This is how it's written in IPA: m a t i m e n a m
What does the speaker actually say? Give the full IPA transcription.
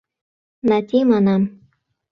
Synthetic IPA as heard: n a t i m a n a m